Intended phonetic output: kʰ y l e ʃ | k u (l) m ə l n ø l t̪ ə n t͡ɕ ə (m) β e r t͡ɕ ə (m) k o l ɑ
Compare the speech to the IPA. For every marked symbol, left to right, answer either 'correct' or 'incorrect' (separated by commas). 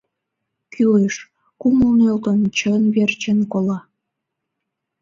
incorrect, incorrect, incorrect